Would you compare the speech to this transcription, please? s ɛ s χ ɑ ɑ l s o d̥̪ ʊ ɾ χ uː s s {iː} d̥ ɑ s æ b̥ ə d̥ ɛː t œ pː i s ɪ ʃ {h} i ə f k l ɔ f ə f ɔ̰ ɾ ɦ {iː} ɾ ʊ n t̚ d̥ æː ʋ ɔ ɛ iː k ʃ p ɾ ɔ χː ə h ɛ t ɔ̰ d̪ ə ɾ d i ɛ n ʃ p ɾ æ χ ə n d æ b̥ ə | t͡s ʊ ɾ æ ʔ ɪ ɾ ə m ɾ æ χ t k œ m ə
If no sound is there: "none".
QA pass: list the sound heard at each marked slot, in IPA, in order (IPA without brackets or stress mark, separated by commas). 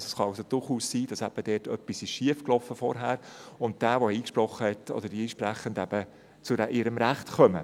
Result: iː, ʃ, æː